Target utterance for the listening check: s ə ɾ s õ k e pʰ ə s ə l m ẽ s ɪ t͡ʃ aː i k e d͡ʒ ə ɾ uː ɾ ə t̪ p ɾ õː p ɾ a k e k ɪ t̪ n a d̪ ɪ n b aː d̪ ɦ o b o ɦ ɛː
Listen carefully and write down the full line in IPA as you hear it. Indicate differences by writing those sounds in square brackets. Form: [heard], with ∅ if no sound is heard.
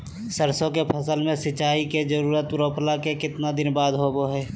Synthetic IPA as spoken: s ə ɾ s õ k e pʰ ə s ə l m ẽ s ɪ t͡ʃ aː i k e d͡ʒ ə ɾ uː ɾ ə t̪ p ɾ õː p [l] a k e k ɪ t̪ n a d̪ ɪ n b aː d̪ ɦ o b o ɦ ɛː